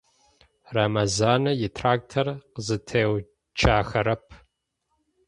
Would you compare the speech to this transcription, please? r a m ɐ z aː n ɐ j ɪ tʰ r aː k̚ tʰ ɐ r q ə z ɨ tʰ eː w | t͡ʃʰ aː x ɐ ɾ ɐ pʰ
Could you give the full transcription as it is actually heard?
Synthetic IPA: r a m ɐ z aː n ɐ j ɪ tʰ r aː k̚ tʰ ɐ r q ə z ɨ tʰ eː w | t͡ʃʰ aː x ɐ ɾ ɐ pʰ

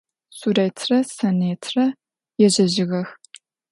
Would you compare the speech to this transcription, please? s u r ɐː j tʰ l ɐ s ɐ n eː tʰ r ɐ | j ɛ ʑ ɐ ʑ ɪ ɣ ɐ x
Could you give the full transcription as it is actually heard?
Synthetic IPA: s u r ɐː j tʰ r ɐ s ɐ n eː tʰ r ɐ | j ɛ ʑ ɐ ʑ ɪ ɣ ɐ x

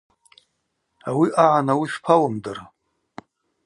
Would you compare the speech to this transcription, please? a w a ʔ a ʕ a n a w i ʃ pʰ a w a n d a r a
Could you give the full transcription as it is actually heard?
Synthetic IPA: a w i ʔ a ʕ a n a w i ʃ pʰ a w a m d a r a

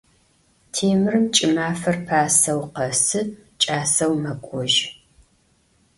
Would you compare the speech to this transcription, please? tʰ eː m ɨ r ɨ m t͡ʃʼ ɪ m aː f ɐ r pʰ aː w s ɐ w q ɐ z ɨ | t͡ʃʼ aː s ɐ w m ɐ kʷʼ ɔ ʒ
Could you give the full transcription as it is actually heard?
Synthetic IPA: tʰ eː m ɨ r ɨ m t͡ʃʼ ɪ m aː f ɐ r pʰ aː s ɐ w q ɐ s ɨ | t͡ʃʼ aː s ɐ w m ɐ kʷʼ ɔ ʒ

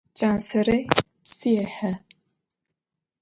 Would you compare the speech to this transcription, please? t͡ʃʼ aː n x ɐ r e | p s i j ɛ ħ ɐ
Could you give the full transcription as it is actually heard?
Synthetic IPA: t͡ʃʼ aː n s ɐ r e | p s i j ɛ ħ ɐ

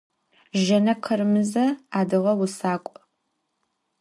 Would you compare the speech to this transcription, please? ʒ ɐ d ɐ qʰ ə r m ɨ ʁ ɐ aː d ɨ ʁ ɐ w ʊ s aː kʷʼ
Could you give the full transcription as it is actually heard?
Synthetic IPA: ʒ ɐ n ɐ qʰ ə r m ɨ z ɐ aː d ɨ ʁ ɐ w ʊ s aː kʷʼ

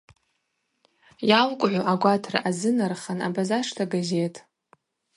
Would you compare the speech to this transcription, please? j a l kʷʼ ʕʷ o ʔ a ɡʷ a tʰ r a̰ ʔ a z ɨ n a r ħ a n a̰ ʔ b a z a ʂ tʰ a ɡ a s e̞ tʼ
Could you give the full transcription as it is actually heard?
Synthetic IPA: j a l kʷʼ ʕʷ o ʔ a ɡʷ a tʰ r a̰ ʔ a z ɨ n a r χ a n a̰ b a z a ʂ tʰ a ɡ a z e̞ tʼ

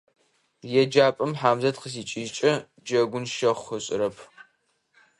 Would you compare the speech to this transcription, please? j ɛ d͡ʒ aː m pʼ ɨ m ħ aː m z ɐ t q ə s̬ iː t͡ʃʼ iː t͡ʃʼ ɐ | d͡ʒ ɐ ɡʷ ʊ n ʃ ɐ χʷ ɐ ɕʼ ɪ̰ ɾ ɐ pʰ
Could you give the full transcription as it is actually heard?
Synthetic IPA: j ɛ d͡ʒ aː pʼ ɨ m ħ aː m z ɐ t q ə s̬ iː t͡ʃʼ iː t͡ʃʼ ɐ | d͡ʒ ɐ ɡʷ ʊ n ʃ ɐ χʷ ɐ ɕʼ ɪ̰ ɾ ɐ pʰ

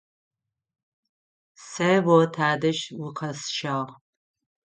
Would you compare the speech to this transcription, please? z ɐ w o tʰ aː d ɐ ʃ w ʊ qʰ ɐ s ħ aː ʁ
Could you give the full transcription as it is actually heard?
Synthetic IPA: s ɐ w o tʰ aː d ɐ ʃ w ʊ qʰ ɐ s ʃ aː ʁ

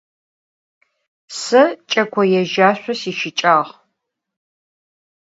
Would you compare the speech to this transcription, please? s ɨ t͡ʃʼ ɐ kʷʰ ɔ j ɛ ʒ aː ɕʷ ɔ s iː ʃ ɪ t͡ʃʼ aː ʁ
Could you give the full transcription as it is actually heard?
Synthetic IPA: s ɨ t͡ʃʼ ɐ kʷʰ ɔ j ɛ ʒ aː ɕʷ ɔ s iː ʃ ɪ t͡ʃʼ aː ʁ

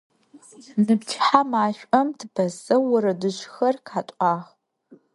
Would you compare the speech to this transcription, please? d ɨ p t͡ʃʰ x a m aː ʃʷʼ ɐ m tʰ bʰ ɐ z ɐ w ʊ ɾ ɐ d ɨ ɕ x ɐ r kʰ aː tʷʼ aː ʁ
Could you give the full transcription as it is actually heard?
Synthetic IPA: n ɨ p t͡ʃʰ ħ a m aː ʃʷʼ ɐ m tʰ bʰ ɐ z ɐ w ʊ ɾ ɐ d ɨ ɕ x ɐ r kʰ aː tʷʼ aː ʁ

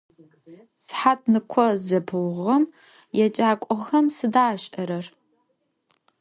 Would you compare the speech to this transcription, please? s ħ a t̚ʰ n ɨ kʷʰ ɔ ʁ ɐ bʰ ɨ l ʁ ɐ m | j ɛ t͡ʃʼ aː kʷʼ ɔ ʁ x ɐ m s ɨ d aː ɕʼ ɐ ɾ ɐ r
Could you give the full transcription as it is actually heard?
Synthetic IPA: s ħ a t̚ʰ n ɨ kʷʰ ɔ z ɐ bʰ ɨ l ʁ ɐ m | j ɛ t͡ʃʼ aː kʷʼ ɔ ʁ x ɐ m s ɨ d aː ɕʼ ɐ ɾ ɐ r

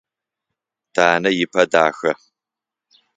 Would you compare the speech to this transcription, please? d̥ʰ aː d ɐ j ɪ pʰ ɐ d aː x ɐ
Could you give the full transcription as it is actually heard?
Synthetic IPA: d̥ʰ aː n ɐ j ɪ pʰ ɐ d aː x ɐ

